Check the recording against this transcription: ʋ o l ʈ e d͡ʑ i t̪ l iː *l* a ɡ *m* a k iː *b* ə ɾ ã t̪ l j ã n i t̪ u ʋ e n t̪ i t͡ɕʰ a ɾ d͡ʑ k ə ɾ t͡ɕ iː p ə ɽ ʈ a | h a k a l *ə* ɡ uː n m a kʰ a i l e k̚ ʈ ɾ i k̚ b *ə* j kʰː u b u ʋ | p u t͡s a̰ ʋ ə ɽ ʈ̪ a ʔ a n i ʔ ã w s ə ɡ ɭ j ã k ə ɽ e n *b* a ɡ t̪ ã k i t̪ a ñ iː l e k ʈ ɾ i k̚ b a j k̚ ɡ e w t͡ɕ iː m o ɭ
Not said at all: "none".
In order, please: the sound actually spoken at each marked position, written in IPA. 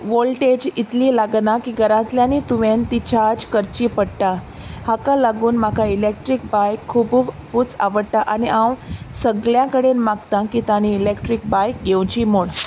l, n, ɡ, a, a, m

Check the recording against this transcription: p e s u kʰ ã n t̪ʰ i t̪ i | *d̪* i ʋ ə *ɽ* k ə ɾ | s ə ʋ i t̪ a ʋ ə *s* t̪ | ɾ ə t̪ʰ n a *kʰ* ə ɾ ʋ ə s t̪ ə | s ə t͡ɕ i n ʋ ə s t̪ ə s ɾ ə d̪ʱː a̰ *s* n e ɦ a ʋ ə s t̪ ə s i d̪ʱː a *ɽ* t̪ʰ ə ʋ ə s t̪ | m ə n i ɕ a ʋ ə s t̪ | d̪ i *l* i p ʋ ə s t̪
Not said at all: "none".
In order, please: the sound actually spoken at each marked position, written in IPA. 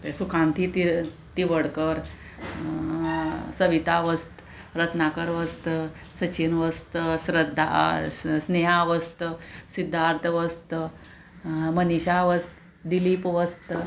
t̪, ɽ, s, k, s, ɾ, l

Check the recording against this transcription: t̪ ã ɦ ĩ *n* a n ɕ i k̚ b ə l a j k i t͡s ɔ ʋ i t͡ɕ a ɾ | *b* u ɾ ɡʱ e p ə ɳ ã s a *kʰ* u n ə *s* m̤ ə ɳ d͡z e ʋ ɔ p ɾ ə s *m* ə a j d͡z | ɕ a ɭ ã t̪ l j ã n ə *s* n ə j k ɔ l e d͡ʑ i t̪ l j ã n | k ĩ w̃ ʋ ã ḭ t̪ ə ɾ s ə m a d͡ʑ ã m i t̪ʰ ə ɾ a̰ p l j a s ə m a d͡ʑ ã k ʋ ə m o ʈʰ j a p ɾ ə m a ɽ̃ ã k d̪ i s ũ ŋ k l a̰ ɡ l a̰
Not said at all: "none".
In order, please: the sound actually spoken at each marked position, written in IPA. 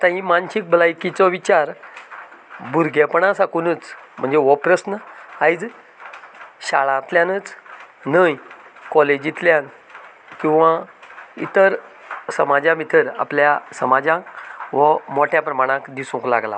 m, b, k, t͡s, n, t͡s

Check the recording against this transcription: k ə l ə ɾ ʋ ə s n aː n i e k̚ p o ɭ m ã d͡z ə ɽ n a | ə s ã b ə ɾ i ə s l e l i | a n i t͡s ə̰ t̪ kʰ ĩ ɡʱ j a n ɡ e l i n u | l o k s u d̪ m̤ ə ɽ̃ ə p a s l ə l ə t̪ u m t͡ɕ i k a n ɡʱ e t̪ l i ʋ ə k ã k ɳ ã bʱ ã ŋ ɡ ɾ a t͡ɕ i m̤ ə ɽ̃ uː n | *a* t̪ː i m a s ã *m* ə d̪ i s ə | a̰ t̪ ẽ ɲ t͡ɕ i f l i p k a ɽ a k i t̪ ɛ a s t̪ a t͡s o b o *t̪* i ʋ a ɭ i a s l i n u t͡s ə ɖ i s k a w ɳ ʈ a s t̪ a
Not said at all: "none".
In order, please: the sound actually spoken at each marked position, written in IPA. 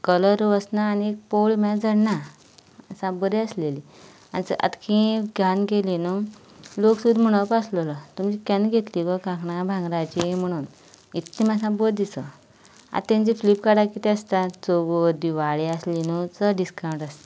i, b, d̪

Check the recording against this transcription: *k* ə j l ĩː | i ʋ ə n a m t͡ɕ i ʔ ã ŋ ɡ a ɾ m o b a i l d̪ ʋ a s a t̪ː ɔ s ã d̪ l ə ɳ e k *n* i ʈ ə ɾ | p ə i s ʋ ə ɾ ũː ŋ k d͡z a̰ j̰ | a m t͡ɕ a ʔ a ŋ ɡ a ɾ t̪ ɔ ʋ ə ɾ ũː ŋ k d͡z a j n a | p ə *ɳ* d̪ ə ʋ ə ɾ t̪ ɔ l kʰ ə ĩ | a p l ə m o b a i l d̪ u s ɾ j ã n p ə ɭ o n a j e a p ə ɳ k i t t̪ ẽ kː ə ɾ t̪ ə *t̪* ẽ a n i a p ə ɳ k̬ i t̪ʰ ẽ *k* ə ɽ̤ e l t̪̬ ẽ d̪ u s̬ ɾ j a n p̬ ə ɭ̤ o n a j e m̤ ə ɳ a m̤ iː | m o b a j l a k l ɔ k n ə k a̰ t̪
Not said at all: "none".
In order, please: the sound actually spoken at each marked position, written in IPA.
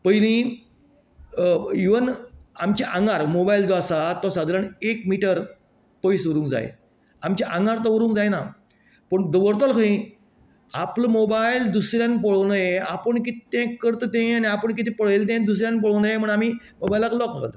p, m, ɳ, t̪, p

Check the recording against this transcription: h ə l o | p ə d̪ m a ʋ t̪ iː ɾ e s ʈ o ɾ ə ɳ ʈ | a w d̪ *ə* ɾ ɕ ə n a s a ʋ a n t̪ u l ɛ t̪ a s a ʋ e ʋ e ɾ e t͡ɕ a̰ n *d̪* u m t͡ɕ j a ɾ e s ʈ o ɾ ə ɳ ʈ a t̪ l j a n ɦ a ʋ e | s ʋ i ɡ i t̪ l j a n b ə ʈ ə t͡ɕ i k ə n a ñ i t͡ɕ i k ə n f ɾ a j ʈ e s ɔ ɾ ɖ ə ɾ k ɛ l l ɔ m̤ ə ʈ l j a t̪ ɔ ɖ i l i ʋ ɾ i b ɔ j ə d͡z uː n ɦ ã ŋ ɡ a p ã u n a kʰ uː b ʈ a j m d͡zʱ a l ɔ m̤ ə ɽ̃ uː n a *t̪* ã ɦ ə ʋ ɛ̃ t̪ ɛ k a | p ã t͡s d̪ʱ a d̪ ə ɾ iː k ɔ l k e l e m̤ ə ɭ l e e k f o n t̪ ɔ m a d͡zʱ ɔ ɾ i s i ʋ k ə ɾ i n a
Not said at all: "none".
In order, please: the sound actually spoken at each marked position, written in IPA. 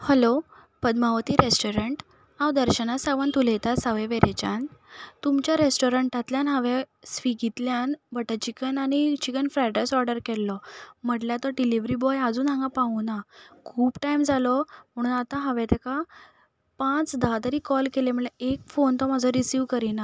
ə, t̪, t̪

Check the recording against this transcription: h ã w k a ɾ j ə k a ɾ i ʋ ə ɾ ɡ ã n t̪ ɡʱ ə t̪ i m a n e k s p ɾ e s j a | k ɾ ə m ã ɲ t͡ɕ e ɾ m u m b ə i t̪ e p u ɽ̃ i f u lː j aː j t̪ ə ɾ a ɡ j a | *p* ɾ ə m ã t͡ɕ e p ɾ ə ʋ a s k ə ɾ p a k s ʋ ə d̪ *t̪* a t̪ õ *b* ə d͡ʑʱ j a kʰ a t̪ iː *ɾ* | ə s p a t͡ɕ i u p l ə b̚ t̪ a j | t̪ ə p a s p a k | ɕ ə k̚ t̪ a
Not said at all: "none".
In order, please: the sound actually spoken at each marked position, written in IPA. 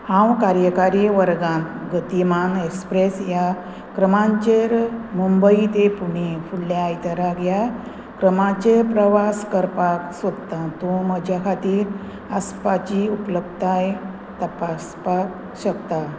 k, t̪, m, ɾ

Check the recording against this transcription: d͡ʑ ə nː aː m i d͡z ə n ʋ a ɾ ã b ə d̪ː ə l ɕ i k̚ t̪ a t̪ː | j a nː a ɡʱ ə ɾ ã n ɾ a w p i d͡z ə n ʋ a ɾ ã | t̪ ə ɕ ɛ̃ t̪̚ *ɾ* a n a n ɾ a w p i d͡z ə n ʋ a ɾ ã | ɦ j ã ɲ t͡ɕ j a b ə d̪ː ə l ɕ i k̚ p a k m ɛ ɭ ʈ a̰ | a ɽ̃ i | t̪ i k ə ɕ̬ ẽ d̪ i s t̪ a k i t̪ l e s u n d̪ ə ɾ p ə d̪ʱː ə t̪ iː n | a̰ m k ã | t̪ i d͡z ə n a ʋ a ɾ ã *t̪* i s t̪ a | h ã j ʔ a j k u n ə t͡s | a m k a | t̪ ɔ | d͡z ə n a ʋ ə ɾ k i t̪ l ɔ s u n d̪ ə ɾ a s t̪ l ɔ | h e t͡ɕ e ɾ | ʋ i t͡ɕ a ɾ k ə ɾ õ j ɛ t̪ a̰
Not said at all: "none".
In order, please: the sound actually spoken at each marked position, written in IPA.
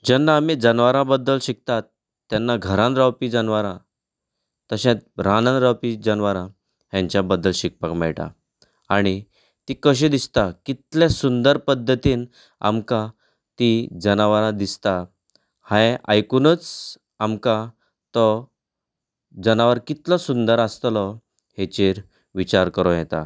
ɾ, d̪

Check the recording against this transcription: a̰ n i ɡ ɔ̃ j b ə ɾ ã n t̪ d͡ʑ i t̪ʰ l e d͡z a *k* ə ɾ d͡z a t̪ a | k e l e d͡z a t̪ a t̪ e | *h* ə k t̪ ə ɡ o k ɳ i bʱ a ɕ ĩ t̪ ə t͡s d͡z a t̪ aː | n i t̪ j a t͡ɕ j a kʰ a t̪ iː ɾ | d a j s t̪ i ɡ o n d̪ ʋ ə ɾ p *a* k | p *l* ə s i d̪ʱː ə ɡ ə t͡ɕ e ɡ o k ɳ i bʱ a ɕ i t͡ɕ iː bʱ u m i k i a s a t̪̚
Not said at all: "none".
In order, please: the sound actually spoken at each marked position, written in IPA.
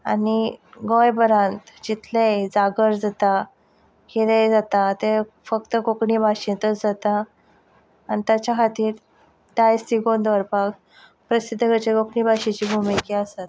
ɡ, f, a, ɾ

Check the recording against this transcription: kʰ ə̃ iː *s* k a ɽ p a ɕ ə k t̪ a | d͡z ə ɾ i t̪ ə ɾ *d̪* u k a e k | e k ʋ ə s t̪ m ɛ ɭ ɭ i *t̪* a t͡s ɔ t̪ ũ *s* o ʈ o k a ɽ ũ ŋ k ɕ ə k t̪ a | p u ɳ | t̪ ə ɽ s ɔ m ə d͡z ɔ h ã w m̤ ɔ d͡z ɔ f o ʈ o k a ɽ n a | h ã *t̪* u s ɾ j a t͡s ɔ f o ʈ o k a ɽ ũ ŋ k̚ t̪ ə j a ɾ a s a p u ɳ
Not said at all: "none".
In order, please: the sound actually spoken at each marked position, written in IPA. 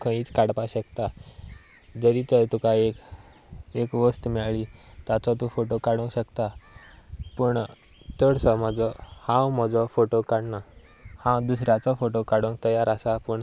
t͡s, t̪, t̪, f, d̪

